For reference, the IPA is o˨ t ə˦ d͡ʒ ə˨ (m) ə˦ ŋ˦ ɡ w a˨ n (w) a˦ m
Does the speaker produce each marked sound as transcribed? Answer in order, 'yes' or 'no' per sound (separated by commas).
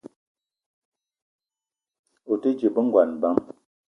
no, no